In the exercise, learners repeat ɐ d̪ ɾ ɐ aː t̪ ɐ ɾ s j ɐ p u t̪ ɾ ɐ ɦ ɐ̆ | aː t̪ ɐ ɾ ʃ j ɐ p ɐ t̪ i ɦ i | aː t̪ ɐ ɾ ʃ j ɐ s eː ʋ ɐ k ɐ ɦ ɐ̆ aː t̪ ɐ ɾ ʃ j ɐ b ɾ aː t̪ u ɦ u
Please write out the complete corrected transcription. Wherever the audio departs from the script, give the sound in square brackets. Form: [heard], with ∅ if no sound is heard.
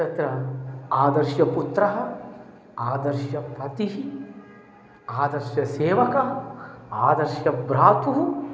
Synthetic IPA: ɐ [t̪] ɾ ɐ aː [d̪] ɐ ɾ [ʃ] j ɐ p u t̪ ɾ ɐ ɦ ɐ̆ | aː [d̪] ɐ ɾ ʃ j ɐ p ɐ t̪ i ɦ i | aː [d̪] ɐ ɾ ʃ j ɐ s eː ʋ ɐ k ɐ ɦ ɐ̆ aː [d̪] ɐ ɾ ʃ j ɐ b ɾ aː t̪ u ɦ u